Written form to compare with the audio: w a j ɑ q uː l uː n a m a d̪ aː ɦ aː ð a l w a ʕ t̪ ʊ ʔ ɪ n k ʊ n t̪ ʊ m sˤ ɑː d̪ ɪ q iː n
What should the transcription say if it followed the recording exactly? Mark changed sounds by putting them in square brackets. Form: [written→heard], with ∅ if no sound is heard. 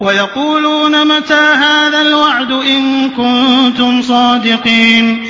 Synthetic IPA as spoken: w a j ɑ q uː l uː n a m a [d̪→t̪] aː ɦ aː ð a l w a ʕ [t̪→d̪] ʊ ʔ ɪ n k ʊ n t̪ ʊ m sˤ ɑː d̪ ɪ q iː n